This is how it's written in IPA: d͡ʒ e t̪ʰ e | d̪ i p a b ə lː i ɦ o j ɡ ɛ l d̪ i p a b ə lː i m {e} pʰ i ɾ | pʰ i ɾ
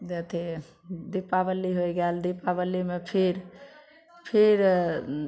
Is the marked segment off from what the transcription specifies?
no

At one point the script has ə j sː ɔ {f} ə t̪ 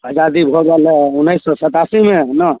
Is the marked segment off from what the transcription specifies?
yes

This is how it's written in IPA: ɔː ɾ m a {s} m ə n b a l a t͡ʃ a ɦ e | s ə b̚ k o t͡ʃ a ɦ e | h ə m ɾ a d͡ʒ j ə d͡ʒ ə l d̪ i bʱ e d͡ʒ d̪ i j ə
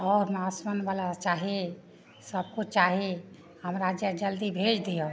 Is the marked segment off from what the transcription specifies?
no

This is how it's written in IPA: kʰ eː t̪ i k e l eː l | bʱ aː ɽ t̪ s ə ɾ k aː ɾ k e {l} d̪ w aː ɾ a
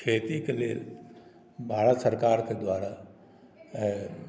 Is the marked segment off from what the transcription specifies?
yes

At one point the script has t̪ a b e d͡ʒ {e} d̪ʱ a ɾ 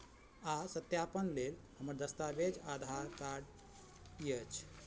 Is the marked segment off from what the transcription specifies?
yes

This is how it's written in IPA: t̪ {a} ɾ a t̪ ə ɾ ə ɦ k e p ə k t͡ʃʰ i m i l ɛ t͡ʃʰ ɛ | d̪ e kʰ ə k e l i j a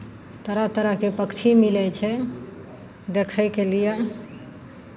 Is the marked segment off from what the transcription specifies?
yes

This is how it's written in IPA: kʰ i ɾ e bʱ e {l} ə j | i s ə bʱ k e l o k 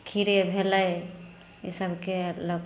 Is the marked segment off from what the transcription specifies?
no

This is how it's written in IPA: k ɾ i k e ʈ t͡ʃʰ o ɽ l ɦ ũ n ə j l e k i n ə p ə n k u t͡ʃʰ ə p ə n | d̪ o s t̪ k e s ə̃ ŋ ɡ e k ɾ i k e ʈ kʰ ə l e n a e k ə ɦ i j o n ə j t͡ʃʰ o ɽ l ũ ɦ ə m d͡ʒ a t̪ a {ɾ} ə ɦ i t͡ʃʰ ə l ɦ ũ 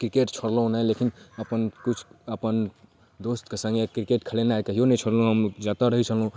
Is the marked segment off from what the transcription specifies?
no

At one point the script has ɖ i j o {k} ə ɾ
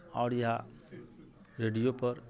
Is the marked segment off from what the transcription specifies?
yes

